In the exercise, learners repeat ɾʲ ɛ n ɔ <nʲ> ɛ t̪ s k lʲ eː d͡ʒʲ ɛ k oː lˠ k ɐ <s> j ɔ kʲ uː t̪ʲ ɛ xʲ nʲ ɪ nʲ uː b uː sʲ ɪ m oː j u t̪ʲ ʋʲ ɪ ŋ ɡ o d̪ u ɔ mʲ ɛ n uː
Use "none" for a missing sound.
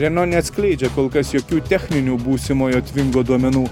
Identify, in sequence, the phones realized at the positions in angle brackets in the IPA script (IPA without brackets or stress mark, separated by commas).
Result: nʲ, s